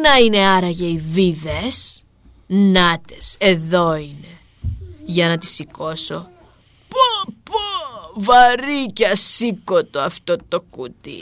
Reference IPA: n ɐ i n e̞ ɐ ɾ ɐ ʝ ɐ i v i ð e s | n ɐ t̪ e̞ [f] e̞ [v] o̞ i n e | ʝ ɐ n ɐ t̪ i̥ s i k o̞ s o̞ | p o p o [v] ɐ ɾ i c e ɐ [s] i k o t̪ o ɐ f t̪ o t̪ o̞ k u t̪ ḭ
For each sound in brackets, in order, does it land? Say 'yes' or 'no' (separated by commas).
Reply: no, no, yes, yes